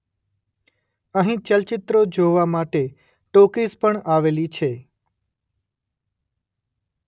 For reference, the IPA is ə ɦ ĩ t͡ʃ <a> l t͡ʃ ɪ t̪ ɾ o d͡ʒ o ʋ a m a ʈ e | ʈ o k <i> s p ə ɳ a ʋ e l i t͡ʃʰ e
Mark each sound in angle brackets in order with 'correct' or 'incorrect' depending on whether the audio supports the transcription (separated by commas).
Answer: incorrect, correct